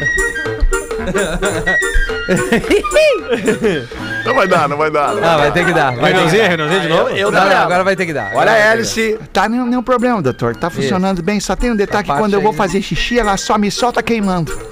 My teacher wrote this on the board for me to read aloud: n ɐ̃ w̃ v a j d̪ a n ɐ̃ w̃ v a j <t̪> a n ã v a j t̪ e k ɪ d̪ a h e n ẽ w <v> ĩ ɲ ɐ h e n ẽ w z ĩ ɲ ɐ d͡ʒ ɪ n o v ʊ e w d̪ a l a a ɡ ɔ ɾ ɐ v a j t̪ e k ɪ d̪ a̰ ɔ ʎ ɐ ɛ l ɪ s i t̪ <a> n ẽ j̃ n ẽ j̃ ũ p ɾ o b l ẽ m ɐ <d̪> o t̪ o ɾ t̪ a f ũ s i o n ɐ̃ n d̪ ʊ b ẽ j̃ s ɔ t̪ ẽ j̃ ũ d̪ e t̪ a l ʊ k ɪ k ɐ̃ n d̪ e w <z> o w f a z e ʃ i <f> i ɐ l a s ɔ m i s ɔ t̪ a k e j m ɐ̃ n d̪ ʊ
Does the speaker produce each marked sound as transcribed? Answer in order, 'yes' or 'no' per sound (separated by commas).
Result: no, no, yes, yes, no, no